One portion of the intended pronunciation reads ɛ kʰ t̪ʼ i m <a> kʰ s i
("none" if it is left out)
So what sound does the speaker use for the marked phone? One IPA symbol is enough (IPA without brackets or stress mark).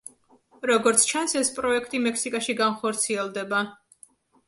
ɛ